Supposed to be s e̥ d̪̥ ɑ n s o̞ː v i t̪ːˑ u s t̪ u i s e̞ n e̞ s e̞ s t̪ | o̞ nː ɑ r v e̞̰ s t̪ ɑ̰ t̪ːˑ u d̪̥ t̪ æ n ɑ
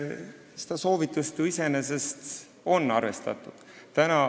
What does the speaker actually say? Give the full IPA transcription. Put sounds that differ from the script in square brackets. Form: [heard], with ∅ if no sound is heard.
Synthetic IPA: s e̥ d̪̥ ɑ [∅] s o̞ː v i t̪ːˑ u s t̪ u i s e̞ n e̞ s e̞ s t̪ | o̞ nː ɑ r v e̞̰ s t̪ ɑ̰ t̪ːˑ u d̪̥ t̪ æ n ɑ